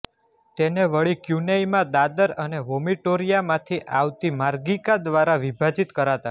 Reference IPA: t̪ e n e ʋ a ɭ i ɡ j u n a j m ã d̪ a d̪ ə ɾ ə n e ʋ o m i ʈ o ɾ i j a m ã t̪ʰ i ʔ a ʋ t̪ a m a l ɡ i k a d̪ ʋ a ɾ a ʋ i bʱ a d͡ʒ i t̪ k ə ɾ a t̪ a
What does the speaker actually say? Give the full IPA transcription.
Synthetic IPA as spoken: t̪ e n e ʋ ə ɭ i k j u n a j m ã d̪ a d̪ ə ɾ ə n e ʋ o m i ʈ o ɾ i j a m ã t̪ʰ i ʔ a ʋ t̪ i m a ɾ ɡ i k a d̪ ʋ a ɾ a ʋ i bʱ a d͡ʒ i t̪ k ə ɾ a t̪ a